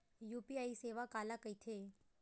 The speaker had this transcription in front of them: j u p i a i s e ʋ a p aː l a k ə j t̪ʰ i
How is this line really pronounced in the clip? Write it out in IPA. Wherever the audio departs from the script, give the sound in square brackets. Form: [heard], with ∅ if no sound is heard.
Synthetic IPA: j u p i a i s e ʋ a [k] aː l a k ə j t̪ʰ [e]